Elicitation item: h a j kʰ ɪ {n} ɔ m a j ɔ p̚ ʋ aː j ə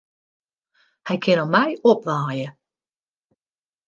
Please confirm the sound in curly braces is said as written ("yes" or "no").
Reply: yes